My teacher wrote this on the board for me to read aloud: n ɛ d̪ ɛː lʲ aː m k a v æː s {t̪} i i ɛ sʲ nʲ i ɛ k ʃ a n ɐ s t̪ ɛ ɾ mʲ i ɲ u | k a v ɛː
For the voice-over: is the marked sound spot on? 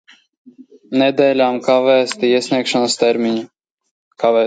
yes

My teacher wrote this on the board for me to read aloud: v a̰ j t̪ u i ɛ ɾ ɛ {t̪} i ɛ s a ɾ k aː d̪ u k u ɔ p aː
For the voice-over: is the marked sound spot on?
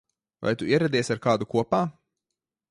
no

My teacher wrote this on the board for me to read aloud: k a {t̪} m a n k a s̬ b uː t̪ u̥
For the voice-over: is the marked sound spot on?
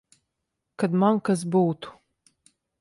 no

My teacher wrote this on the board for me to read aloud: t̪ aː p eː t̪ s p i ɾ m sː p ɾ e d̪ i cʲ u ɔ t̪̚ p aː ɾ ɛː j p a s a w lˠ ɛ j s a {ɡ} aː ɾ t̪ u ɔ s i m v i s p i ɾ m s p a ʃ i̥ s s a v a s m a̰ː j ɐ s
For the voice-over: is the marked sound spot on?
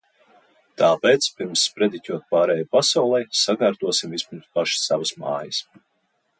yes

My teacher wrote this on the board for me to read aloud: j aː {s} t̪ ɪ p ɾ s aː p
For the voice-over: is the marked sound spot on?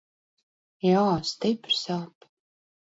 yes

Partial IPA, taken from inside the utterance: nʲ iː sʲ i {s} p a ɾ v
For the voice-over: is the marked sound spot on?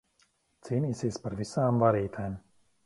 yes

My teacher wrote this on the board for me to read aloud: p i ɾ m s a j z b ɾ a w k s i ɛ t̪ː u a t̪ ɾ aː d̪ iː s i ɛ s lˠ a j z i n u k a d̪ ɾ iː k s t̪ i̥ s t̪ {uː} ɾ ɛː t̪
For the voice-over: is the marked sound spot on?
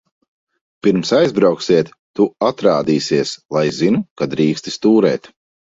yes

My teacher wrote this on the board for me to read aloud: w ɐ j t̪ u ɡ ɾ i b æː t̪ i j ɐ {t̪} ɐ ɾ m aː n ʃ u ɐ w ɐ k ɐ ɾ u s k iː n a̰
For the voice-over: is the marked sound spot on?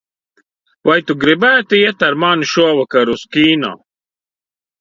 yes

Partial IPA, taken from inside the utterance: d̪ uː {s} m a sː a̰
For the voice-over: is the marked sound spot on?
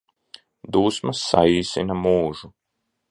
yes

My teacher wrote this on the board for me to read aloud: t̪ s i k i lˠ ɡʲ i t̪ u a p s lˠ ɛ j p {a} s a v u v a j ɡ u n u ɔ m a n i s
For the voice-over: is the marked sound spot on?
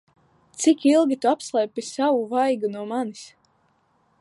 no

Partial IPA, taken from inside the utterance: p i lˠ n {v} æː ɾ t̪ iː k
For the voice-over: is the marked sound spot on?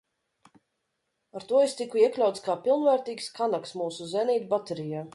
yes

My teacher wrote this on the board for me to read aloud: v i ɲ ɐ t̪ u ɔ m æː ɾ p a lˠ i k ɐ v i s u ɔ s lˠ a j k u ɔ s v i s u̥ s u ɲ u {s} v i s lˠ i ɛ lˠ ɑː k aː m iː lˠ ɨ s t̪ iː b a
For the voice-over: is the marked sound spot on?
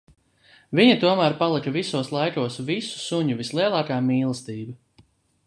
no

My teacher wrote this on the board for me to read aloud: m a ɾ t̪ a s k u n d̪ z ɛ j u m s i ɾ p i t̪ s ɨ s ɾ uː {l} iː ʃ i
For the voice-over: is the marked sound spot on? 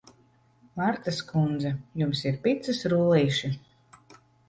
yes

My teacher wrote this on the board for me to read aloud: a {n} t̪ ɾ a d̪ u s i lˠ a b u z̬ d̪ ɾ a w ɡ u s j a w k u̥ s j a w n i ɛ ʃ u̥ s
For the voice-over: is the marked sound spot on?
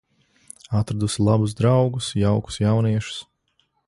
no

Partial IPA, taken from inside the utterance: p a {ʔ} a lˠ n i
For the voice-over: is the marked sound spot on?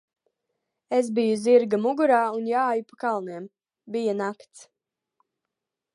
no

